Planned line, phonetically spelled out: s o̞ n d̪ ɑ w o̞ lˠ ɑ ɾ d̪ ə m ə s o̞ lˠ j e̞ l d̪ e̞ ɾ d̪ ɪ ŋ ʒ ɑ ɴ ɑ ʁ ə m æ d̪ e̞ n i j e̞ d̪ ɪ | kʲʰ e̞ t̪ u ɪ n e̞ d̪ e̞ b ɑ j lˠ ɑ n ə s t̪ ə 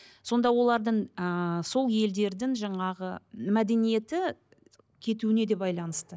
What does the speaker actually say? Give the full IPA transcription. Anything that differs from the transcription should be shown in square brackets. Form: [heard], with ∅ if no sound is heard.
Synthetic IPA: s o̞ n d̪ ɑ w o̞ lˠ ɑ ɾ d̪ ə [ɴ] ə s o̞ lˠ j e̞ l d̪ e̞ ɾ d̪ ɪ ŋ ʒ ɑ ɴ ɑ ʁ ə m æ d̪ e̞ n i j e̞ [t̪] ɪ | kʲʰ e̞ t̪ u ɪ n e̞ d̪ e̞ b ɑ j lˠ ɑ n ə s t̪ ə